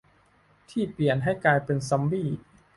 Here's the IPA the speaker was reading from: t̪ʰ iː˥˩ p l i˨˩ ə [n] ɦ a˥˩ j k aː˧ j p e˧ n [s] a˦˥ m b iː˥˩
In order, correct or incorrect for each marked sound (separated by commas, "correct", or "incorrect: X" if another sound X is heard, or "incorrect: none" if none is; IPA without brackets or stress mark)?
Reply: correct, correct